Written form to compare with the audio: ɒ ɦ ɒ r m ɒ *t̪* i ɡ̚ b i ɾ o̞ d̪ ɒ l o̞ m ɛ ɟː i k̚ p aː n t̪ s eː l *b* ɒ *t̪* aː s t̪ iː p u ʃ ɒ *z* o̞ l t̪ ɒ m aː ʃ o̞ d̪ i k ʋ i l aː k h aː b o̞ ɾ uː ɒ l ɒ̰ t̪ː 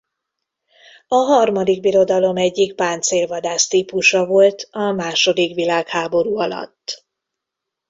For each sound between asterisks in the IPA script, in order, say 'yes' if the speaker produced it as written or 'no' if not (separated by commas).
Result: no, no, no, no